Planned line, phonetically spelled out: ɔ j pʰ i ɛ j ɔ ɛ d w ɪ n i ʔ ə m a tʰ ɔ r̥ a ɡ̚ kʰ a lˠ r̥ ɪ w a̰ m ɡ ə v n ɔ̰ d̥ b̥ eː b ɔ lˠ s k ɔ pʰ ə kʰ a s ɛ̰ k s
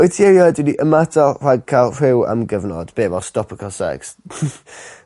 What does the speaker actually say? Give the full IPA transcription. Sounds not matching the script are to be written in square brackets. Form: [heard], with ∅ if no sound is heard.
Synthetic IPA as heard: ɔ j [tʰ] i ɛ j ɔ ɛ d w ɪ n i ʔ ə m a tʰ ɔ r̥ a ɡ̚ kʰ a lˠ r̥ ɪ w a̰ m ɡ ə v n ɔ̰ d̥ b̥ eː [v] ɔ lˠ s [t] ɔ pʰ ə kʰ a s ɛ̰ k s

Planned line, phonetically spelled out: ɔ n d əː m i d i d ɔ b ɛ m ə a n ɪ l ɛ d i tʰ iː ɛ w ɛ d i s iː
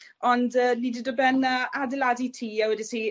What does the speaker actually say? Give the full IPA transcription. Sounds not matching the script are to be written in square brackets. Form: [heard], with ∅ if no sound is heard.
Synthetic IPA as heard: ɔ n d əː [n] i d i d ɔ b ɛ [n] ə a [d] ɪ l [a] d i tʰ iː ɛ w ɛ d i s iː

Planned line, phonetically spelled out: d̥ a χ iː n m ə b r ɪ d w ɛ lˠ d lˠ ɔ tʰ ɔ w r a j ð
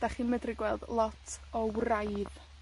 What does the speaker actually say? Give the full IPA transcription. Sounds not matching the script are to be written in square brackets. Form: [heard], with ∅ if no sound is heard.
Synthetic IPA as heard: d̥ a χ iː n m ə [d] r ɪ [ɡ] w ɛ lˠ d lˠ ɔ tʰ ɔ w r a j ð

